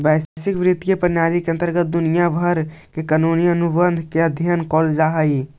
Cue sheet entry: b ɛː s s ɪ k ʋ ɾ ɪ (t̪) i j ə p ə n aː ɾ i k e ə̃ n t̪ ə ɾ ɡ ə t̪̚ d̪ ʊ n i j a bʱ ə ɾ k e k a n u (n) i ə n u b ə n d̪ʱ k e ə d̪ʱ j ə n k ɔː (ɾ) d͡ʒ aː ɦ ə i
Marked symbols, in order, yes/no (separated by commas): yes, yes, no